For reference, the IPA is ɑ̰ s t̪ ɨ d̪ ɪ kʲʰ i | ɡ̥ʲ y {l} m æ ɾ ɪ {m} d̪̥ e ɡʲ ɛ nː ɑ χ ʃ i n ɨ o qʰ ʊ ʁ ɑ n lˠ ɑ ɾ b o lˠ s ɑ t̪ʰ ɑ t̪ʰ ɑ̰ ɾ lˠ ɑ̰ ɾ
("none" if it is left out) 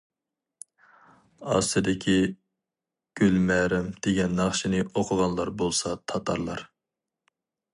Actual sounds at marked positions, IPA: l, m

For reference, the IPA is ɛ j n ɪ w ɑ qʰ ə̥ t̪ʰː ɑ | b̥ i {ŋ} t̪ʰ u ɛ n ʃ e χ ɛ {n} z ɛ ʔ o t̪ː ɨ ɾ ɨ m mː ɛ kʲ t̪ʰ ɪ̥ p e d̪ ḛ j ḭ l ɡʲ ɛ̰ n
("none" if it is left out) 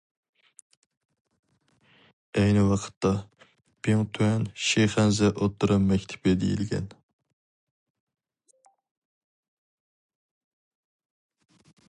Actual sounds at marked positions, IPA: ŋ, n

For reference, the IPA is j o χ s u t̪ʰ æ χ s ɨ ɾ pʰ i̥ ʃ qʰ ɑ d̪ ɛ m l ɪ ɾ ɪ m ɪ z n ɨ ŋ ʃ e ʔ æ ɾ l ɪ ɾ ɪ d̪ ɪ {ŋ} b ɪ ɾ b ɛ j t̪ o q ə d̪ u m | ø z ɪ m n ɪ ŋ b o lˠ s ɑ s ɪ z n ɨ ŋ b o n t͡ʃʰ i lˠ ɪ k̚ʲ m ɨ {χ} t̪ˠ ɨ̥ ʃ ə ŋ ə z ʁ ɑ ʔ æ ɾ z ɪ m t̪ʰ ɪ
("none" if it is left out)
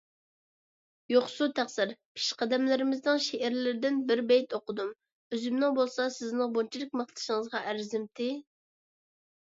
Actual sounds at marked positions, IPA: n, χ

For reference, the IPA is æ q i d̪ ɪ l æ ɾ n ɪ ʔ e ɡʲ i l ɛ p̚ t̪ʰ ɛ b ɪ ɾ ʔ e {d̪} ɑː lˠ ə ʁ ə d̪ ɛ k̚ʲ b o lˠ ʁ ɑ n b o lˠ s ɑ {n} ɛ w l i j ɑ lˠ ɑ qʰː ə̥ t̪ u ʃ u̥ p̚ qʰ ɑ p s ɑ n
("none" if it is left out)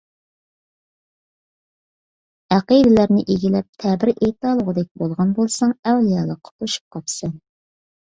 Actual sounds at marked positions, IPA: t̪, ŋ

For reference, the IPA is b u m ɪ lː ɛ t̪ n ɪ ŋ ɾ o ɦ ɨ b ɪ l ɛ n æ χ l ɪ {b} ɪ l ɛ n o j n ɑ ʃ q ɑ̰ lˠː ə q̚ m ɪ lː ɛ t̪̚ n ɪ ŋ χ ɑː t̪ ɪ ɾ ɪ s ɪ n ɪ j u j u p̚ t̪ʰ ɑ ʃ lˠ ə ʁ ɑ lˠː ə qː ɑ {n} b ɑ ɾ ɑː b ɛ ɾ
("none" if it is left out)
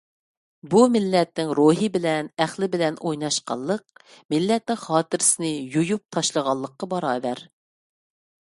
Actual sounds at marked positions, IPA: b, none

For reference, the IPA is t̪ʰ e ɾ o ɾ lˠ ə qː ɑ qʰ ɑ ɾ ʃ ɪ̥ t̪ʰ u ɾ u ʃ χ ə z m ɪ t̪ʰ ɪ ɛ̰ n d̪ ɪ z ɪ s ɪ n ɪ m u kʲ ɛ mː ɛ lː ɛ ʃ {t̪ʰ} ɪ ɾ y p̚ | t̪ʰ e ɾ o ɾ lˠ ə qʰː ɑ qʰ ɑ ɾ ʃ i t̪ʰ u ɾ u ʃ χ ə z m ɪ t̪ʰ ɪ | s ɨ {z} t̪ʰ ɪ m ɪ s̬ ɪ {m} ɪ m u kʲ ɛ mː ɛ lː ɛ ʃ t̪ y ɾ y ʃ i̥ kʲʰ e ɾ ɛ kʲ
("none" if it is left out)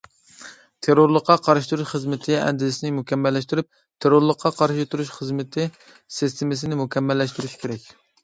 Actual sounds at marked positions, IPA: t̪, s, n

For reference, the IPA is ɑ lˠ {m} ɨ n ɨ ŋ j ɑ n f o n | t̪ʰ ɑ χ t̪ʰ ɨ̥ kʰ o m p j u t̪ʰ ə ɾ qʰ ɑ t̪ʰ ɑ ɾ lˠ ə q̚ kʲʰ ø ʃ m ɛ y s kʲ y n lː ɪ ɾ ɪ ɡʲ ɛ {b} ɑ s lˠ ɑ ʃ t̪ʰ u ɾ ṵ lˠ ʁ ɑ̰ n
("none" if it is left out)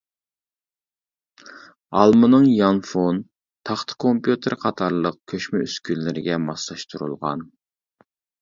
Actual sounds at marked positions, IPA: m, m

